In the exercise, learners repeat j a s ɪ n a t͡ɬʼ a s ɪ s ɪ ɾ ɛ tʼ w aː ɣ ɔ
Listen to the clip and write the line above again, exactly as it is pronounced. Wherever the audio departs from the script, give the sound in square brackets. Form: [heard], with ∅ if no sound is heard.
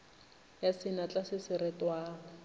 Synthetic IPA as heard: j a s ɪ n a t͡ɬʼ a s ɪ s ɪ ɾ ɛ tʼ w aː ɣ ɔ